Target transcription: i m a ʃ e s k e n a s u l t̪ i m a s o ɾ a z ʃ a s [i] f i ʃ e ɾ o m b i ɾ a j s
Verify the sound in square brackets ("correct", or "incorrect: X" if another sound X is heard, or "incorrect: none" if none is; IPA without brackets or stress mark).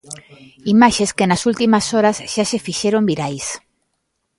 incorrect: e